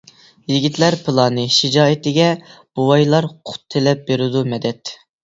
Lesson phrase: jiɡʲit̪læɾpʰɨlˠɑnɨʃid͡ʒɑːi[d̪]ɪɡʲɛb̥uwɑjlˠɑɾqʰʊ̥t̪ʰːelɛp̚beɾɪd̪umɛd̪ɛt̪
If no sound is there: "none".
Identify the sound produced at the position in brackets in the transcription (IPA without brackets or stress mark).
t̪